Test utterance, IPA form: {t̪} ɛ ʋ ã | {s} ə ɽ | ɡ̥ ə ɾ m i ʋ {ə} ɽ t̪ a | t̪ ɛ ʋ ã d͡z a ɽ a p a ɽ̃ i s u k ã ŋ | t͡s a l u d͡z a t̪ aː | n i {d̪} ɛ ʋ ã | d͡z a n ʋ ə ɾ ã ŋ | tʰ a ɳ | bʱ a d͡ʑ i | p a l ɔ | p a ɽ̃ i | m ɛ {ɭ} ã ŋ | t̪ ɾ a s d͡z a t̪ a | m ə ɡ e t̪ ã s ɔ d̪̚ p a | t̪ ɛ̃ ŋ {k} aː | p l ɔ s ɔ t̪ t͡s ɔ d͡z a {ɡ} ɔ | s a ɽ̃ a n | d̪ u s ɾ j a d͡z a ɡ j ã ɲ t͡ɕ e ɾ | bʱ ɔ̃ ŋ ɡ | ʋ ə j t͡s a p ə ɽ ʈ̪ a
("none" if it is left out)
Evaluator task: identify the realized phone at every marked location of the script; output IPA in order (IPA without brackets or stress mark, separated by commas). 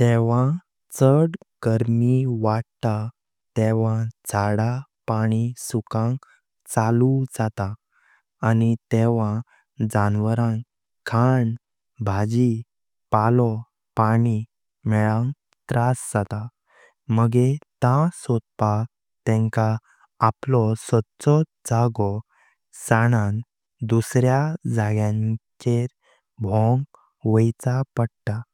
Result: t̪, t͡s, a, t̪, ɭ, k, ɡ